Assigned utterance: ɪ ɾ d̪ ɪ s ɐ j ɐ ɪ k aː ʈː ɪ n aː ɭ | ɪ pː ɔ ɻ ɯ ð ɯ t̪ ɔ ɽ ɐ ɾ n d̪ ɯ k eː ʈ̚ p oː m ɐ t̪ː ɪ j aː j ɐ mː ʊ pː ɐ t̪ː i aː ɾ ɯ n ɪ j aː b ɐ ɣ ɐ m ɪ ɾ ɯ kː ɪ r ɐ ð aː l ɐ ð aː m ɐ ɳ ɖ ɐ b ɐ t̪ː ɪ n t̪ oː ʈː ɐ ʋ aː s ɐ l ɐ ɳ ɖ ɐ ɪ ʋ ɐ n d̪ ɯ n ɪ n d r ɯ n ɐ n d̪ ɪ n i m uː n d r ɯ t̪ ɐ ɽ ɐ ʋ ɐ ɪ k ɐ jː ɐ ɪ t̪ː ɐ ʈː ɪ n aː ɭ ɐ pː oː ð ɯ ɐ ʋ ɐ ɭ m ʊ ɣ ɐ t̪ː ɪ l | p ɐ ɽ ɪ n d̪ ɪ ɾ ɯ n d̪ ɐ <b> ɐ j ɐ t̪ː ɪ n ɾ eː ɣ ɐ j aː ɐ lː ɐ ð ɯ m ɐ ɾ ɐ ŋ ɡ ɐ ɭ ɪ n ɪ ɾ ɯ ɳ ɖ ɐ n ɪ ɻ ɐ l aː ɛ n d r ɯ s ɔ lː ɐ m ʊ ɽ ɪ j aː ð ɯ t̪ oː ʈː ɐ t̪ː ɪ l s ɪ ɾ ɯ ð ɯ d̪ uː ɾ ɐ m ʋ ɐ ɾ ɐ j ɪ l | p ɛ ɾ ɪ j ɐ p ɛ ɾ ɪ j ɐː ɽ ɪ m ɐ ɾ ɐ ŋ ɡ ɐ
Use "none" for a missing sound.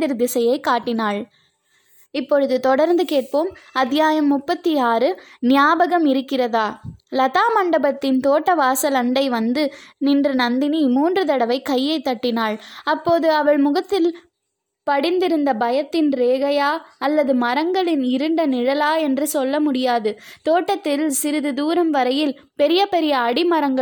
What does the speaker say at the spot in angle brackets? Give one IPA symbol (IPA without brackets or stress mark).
b